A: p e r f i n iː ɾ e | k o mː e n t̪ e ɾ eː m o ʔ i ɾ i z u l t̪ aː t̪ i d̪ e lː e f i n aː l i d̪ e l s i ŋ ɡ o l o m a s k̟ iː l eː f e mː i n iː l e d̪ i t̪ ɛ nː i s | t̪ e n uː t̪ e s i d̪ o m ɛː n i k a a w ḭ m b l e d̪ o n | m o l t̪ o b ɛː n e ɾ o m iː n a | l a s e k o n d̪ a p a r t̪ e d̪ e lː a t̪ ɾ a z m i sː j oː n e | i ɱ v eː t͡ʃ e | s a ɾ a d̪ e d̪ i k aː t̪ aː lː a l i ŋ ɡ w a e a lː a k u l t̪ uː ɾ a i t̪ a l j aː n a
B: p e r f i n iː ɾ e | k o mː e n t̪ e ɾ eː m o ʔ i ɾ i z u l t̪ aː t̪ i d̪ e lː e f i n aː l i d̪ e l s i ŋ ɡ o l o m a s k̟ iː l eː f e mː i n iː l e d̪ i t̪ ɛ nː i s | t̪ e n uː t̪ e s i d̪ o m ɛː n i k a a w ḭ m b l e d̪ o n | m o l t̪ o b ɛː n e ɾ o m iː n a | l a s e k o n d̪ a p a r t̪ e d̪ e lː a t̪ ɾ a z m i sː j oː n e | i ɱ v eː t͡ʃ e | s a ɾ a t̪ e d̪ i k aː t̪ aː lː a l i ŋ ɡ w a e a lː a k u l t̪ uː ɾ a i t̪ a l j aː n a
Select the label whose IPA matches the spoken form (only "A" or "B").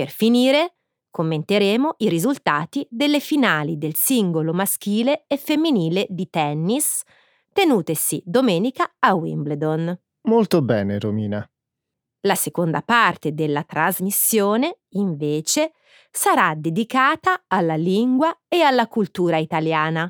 A